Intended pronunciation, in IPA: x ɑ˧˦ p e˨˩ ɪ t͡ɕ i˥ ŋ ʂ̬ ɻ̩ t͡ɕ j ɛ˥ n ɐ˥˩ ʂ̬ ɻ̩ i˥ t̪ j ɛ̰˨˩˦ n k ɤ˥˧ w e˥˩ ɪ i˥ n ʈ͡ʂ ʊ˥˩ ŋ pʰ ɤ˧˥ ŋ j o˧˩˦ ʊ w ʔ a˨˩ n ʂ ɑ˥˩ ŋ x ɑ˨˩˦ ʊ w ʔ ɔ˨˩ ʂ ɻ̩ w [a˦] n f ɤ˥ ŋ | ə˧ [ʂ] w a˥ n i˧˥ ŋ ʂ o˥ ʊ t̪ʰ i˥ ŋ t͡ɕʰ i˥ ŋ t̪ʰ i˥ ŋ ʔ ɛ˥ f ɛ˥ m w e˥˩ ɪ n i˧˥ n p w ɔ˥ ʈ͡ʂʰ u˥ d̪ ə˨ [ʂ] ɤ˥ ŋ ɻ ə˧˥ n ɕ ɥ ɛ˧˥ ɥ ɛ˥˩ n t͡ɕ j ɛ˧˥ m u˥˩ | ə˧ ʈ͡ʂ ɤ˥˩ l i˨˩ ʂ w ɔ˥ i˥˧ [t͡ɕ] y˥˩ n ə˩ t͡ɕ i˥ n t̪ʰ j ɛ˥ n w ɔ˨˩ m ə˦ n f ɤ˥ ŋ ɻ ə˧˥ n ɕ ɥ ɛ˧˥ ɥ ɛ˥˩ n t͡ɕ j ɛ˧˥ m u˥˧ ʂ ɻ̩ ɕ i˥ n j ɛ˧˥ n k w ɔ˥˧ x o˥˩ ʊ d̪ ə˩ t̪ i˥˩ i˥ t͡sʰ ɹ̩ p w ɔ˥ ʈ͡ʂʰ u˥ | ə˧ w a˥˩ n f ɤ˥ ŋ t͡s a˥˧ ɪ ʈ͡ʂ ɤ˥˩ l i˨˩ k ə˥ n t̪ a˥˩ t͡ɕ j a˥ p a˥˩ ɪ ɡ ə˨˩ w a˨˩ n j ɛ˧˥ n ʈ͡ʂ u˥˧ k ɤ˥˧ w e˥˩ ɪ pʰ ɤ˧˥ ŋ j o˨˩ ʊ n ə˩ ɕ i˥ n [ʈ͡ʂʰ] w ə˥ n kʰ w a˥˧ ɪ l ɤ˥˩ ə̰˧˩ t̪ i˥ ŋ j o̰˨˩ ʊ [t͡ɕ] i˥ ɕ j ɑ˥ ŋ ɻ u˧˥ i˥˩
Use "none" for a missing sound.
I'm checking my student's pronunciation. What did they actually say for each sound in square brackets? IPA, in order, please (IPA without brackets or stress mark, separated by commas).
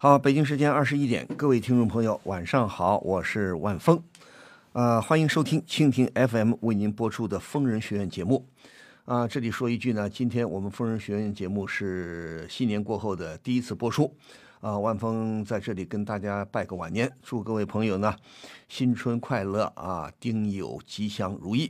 a˥˩, x, f, t͡ɕ, ʈ͡ʂʰ, t͡ɕ